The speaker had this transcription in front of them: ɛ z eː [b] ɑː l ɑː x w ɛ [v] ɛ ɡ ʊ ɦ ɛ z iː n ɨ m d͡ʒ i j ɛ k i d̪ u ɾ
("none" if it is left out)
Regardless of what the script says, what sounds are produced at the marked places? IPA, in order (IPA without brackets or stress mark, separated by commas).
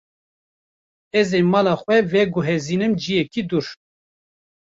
m, v